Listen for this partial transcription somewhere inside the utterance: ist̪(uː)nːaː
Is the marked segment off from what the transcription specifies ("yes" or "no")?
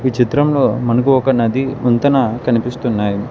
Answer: yes